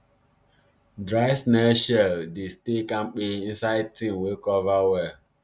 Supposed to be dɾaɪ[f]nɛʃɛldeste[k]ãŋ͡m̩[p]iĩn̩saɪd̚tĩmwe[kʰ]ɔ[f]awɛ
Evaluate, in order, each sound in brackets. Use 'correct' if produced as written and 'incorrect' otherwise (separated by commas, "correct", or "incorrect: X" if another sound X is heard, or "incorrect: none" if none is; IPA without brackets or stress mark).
incorrect: s, correct, incorrect: k͡p, incorrect: k, incorrect: v